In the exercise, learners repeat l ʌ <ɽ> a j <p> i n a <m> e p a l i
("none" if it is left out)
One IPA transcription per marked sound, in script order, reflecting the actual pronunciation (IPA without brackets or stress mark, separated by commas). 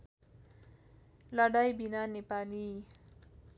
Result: ɽ, b, n